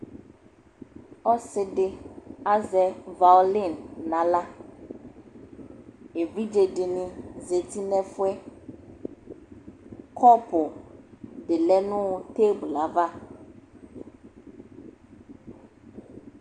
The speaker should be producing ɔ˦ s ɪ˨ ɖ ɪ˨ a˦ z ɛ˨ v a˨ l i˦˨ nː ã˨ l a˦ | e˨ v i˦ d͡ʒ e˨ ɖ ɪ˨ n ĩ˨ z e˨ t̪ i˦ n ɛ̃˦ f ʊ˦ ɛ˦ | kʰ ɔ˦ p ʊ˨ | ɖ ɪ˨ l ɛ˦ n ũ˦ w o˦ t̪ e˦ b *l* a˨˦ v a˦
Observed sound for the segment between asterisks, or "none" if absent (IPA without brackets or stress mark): l